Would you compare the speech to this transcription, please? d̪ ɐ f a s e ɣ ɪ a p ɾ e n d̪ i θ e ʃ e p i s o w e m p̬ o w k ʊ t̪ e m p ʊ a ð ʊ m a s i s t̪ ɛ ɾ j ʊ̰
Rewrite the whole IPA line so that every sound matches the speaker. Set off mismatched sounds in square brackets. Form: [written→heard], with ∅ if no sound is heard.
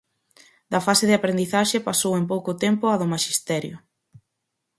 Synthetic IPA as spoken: d̪ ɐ f a s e [ɣ→ð] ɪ a p ɾ e n d̪ i θ [e→a] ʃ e p [i→a] s o w e m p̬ o w k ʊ t̪ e m p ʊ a ð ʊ m a [s→ʃ] i s t̪ ɛ ɾ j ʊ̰